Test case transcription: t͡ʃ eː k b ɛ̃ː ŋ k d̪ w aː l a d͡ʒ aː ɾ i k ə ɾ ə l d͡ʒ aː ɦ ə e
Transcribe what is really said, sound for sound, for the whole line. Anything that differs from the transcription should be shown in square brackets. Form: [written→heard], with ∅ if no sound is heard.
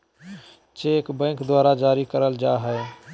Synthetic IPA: t͡ʃ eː k b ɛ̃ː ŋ k d̪ w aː [l→ɾ] a d͡ʒ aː ɾ i k ə ɾ ə l d͡ʒ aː ɦ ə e